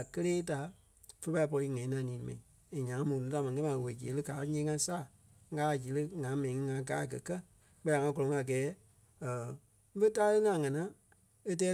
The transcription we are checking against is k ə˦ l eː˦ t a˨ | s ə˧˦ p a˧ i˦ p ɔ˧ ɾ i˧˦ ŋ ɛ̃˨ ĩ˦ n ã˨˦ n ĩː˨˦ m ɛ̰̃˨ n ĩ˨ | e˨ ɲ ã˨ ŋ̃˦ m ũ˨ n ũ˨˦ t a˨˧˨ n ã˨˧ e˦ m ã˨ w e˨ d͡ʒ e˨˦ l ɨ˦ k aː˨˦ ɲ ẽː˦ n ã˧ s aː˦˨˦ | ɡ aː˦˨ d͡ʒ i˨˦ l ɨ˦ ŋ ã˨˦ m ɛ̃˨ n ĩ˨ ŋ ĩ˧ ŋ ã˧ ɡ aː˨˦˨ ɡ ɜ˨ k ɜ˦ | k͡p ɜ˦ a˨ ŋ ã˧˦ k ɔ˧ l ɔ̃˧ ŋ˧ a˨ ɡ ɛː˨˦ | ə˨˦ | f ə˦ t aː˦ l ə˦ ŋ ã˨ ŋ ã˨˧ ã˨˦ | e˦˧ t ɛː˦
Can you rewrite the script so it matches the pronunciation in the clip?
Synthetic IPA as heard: k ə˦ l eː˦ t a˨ | f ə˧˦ p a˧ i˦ p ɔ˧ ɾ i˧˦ ŋ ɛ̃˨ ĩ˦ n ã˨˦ n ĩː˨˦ m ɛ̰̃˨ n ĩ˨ | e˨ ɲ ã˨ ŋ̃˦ m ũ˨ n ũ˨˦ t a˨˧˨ m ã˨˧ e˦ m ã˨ w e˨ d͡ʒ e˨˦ l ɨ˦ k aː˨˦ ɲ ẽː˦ ŋ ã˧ s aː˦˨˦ | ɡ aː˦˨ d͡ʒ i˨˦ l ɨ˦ ŋ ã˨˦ m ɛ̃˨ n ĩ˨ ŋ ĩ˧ ŋ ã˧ ɡ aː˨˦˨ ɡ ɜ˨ k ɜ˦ | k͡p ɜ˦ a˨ ŋ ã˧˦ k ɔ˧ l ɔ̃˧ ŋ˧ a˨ ɡ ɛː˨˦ | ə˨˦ | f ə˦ t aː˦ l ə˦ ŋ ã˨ ŋ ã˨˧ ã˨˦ | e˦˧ t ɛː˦